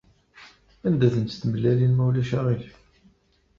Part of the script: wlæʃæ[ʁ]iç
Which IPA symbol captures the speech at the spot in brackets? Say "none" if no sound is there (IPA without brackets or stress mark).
ʁ